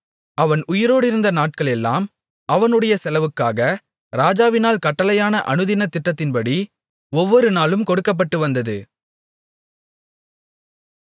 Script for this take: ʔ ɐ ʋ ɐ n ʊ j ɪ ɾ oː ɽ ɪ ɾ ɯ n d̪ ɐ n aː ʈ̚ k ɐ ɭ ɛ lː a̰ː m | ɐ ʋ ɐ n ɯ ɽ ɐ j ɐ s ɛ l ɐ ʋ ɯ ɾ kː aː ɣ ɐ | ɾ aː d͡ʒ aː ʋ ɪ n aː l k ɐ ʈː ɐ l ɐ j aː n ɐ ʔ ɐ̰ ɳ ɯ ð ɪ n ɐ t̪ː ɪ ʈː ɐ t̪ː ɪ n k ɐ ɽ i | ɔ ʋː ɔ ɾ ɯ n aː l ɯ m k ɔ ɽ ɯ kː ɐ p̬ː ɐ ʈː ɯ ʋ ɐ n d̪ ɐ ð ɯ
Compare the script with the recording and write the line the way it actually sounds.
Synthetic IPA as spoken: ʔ ɐ ʋ ɐ n ʊ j ɪ ɾ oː ɽ ɪ ɾ ɯ n d̪ ɐ n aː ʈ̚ k ɐ ɭ ɛ lː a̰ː m | ɐ ʋ ɐ n ɯ ɽ ɐ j ɐ s ɛ l ɐ ʋ ɯ kː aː ɣ ɐ | ɾ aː d͡ʒ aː ʋ ɪ n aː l k ɐ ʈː ɐ l ɐ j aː n ɐ ʔ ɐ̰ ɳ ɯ ð ɪ n ɐ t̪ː ɪ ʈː ɐ t̪ː ɪ n p ɐ ɽ i | ɔ ʋː ɔ ɾ ɯ n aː l ɯ m k ɔ ɽ ɯ kː ɐ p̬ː ɐ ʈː ɯ ʋ ɐ n d̪ ɐ ð ɯ